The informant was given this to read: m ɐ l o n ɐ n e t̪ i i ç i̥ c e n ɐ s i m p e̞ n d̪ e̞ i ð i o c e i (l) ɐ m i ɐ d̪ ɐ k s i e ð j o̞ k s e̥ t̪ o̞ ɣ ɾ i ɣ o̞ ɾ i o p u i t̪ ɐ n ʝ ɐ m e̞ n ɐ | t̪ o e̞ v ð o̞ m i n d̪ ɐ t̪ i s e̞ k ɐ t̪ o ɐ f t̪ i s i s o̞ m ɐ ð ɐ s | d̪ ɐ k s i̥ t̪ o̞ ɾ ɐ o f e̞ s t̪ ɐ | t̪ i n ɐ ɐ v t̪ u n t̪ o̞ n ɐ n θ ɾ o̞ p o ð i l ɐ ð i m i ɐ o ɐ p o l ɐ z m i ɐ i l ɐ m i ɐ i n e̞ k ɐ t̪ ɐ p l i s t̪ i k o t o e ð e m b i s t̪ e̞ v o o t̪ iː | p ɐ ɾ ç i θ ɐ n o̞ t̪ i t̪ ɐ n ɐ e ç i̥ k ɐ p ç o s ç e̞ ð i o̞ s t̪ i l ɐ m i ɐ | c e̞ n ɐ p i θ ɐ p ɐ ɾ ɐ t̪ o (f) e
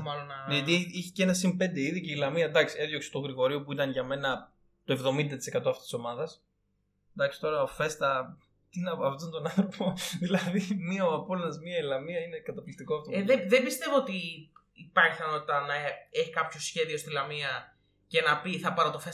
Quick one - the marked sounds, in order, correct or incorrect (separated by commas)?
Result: correct, correct